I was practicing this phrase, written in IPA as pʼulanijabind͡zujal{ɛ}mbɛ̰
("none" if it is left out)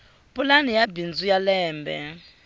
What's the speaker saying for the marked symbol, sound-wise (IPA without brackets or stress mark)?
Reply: ɛː